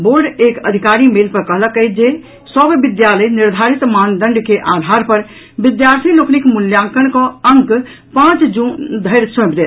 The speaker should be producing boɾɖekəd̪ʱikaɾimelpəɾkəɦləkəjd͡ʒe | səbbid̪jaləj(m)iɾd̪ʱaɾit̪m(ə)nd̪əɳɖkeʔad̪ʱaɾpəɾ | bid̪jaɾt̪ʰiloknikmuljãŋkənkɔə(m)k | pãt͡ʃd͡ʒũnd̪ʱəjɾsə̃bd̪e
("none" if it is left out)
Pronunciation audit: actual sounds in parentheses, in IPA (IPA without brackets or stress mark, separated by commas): n, a, ŋ